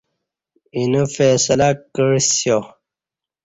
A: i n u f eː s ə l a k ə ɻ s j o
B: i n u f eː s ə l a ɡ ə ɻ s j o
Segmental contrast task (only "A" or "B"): A